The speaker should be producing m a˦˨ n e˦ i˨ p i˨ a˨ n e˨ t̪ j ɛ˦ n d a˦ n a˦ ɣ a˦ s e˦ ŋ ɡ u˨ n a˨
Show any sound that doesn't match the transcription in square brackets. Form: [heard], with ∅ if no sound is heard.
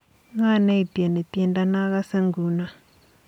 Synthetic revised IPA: [ŋ] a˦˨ n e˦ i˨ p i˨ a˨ n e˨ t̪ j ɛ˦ n d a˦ n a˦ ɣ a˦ s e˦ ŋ ɡ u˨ n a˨